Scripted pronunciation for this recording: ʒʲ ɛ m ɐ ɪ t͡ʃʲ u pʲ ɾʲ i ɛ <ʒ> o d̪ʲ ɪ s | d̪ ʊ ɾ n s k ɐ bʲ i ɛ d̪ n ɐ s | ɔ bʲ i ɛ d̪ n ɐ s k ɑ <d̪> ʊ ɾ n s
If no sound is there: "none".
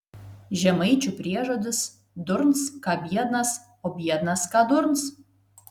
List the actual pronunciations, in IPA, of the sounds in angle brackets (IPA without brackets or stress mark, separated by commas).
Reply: ʒ, d̪